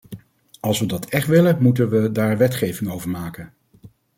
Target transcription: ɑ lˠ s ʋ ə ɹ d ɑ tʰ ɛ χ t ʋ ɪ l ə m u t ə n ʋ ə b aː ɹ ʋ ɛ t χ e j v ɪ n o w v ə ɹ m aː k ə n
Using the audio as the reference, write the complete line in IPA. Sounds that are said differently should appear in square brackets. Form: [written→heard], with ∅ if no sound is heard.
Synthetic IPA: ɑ lˠ s ʋ ə [ɹ→∅] d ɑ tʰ ɛ χ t ʋ ɪ l ə m u t ə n ʋ ə [b→d] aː ɹ ʋ ɛ t χ e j v ɪ [n→ŋ] o w v ə ɹ m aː k ə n